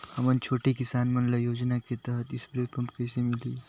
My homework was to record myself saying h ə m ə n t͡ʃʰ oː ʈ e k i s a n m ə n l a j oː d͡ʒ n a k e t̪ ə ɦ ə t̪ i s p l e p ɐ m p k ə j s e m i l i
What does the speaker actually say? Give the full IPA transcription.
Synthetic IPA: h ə m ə n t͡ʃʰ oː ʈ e k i s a n m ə n l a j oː d͡ʒ n a k e t̪ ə ɦ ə t̪ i s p ɾ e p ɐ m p k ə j s e m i l i